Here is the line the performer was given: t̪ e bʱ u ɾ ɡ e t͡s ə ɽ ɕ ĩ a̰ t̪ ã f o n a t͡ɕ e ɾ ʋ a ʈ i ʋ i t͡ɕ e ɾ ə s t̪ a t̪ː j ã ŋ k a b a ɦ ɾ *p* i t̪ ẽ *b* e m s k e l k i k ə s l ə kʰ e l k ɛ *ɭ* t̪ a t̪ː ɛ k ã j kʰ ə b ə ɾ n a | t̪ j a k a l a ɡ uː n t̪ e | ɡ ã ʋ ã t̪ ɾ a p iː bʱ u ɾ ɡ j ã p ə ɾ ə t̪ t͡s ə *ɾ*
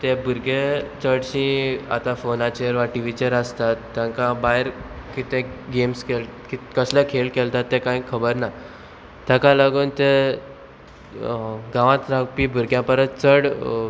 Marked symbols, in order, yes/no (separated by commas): no, no, no, no